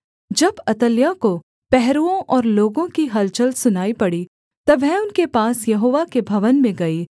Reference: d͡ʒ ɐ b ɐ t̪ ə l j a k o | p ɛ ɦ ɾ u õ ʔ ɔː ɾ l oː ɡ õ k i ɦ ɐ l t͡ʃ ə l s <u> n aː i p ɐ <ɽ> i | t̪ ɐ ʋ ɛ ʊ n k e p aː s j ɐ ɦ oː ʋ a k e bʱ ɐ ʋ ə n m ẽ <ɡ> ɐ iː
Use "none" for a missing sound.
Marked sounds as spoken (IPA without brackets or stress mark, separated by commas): ʊ, ɽ, ɡ